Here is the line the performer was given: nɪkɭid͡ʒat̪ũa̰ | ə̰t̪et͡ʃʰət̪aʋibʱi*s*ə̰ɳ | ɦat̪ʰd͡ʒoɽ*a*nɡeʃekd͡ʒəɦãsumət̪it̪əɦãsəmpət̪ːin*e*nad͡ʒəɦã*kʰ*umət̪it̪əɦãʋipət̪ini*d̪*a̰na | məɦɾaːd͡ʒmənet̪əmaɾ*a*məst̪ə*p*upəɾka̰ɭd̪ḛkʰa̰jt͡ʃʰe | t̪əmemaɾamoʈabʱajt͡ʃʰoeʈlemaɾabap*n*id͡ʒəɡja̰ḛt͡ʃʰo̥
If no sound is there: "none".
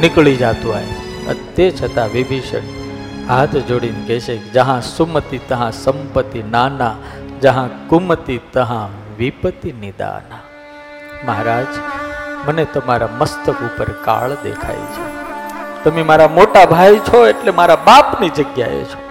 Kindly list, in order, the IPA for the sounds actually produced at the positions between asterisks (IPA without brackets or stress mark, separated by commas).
ʃ, i, a, k, d̪, a, k, n